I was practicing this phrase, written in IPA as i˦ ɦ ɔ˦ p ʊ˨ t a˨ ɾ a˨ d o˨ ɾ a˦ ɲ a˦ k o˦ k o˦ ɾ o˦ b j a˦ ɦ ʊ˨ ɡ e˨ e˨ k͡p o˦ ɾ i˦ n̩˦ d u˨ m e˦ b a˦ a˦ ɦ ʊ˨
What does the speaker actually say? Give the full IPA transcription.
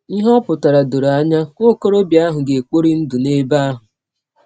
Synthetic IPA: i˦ ɦ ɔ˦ p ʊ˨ t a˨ ɾ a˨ d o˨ ɾ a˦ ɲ a˦ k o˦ k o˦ ɾ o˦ b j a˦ ɦ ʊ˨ ɡ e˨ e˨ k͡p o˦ ɾ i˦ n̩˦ d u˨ n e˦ b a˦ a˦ ɦ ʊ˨